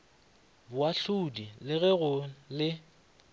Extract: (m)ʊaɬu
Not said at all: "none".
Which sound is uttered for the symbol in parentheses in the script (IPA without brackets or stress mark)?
b